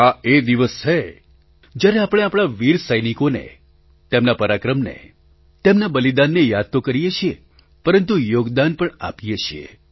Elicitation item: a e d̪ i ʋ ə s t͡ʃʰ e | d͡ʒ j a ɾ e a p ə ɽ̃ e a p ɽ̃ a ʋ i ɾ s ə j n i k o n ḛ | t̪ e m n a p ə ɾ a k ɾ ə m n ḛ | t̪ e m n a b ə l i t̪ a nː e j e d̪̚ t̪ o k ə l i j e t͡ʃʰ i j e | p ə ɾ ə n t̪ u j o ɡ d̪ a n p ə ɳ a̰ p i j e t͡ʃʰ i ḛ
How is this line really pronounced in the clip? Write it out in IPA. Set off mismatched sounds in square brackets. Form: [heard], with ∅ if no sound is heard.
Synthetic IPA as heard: a e d̪ i ʋ ə s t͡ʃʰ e | d͡ʒ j a ɾ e a p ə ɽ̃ e a p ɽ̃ a ʋ i ɾ s ə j n i k o n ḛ | t̪ e m n a p ə ɾ a k ɾ ə m n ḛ | t̪ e m n a b ə l i [d̪] a nː e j [a] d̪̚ t̪ o k ə [ɾ] i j e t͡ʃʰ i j e | p ə ɾ ə n t̪ u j o ɡ d̪ a n p ə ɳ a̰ p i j e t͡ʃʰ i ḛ

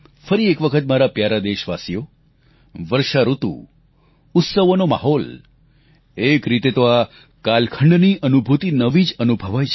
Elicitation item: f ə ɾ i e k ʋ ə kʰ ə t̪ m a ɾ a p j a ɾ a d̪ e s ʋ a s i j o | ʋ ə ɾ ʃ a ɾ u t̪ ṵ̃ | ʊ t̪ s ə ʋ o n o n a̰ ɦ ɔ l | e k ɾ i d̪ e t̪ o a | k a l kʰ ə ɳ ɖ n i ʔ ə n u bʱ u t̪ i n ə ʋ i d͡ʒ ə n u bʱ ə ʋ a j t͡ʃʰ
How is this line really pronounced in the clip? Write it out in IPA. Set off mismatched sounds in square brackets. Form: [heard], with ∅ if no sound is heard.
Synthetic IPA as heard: f ə ɾ i e k ʋ ə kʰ ə t̪ m a ɾ a p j a ɾ a d̪ e [ʃ] ʋ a s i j o | ʋ ə ɾ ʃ a ɾ u t̪ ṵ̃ | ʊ t̪ s ə ʋ o n o [m] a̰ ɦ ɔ l | e k ɾ i [t̪] e t̪ o a | k a l kʰ ə ɳ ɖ n i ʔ ə n u bʱ u t̪ i n ə ʋ i d͡ʒ ə n u bʱ ə ʋ a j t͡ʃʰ

